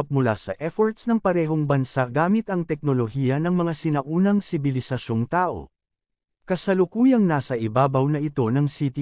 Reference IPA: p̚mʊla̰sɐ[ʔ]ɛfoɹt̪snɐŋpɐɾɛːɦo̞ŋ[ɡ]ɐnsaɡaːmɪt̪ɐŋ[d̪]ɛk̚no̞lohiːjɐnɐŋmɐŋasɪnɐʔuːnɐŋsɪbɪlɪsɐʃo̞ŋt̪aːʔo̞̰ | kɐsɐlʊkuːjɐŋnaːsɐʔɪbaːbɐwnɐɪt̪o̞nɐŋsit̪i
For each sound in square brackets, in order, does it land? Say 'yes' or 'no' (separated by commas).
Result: yes, no, no